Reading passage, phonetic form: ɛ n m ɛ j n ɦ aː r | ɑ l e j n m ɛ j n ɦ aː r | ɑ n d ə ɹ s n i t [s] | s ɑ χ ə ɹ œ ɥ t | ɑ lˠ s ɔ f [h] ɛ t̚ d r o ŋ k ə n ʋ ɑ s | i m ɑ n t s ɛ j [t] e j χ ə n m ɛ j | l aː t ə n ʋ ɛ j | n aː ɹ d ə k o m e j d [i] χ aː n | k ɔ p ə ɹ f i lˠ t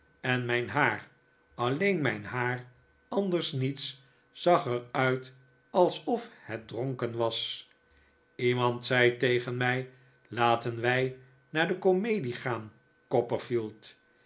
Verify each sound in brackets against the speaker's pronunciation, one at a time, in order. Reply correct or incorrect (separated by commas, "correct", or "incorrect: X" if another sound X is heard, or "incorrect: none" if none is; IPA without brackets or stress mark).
correct, correct, correct, correct